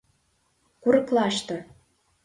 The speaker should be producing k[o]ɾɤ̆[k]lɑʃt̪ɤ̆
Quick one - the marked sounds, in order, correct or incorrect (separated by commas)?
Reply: incorrect, correct